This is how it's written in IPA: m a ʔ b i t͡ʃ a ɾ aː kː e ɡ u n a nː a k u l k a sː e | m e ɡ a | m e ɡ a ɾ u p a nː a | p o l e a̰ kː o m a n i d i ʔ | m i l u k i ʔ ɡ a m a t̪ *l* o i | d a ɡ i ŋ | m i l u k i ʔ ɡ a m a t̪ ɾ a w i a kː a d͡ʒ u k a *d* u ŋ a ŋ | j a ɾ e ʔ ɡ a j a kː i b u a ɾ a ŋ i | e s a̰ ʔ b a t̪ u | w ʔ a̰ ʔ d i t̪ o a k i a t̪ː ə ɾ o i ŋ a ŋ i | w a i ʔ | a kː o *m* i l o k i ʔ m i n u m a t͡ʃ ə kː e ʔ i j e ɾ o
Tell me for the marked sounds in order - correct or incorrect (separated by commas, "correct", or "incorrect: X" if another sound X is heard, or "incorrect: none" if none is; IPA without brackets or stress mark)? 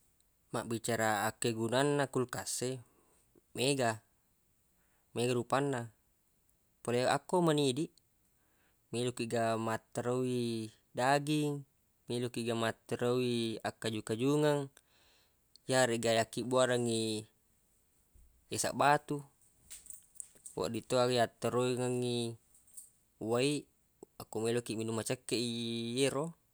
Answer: incorrect: ɾ, incorrect: d͡ʒ, correct